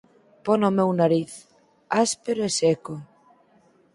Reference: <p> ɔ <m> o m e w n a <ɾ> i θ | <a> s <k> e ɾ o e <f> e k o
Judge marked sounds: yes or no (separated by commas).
yes, no, yes, yes, no, no